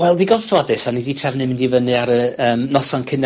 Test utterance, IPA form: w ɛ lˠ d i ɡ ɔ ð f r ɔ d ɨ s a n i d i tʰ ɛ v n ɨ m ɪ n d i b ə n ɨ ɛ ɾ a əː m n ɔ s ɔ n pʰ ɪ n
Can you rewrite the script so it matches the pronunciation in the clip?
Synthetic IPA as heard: w ɛ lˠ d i ɡ ɔ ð f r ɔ d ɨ s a n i d i tʰ ɛ v n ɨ m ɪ n d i v ə n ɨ a ɾ ə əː m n ɔ s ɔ n kʰ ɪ n